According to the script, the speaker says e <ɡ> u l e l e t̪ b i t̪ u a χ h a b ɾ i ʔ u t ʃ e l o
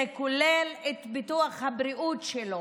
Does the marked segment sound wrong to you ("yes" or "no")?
yes